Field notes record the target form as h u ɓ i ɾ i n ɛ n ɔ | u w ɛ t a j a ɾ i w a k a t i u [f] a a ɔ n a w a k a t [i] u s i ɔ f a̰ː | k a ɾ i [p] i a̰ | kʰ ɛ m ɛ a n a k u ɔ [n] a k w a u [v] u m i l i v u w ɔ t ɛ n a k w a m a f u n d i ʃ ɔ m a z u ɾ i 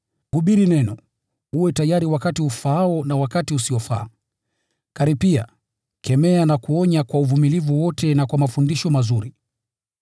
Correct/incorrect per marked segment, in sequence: correct, correct, correct, incorrect, correct

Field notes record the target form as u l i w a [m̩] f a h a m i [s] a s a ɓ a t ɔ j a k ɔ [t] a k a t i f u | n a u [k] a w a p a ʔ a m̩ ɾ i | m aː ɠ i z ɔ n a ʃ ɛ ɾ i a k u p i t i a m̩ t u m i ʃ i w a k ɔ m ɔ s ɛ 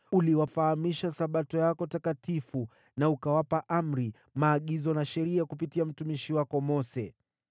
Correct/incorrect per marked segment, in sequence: incorrect, incorrect, correct, correct

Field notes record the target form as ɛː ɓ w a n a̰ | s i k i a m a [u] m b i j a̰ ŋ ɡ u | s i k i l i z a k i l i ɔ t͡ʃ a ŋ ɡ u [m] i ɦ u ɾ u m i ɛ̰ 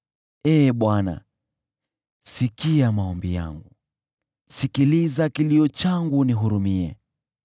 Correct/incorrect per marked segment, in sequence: incorrect, incorrect

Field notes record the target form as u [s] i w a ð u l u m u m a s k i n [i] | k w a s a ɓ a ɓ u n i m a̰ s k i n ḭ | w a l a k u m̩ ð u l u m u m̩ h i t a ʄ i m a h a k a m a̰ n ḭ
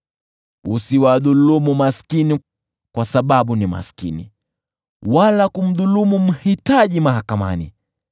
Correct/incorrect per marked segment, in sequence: correct, correct

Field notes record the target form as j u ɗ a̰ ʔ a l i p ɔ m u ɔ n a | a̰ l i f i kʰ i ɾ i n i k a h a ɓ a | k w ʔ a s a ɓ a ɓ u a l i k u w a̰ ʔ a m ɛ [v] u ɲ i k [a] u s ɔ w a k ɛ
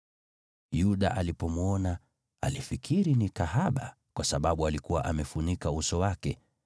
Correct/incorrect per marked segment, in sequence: incorrect, correct

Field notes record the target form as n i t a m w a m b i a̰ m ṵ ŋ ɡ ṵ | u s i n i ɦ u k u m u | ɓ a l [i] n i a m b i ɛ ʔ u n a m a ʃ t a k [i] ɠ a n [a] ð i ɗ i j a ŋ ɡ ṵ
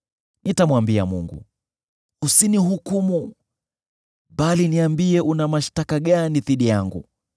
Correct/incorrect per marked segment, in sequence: correct, incorrect, incorrect

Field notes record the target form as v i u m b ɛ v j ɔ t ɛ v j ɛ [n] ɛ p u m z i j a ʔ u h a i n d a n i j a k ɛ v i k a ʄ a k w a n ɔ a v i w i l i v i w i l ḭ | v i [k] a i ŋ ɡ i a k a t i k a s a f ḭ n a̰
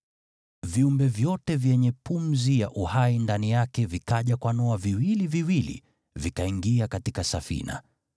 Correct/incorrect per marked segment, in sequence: incorrect, correct

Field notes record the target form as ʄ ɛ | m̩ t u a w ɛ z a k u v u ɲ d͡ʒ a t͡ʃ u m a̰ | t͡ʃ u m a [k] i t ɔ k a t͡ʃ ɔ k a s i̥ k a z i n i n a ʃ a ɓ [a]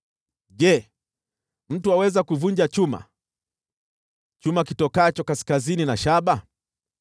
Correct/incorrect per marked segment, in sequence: correct, correct

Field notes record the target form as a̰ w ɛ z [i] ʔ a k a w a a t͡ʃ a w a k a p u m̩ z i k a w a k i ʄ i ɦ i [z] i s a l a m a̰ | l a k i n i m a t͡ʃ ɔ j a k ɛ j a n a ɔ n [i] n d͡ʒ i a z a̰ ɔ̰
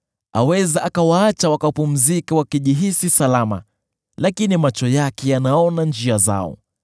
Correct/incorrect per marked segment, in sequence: incorrect, incorrect, incorrect

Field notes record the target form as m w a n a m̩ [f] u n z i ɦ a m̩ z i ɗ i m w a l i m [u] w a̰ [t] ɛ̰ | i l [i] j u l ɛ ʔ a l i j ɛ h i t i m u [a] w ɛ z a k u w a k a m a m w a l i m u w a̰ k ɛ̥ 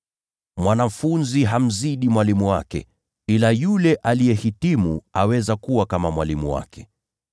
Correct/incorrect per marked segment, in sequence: correct, correct, incorrect, incorrect, correct

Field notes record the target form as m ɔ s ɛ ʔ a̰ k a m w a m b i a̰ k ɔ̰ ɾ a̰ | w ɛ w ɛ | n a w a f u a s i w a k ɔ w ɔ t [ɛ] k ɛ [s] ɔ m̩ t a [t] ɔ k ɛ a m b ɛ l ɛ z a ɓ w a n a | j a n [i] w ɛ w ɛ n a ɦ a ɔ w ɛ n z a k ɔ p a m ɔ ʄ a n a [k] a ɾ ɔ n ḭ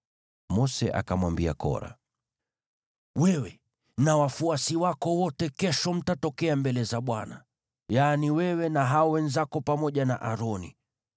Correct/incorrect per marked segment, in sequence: correct, incorrect, correct, correct, incorrect

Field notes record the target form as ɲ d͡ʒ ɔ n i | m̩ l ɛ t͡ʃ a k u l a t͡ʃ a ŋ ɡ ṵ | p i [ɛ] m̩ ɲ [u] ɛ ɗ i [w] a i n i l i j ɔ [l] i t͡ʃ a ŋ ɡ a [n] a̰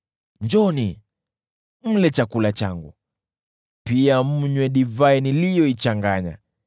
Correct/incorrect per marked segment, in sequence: incorrect, incorrect, incorrect, incorrect, incorrect

